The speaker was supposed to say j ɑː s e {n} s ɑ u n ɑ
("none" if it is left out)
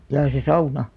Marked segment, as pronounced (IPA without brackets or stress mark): none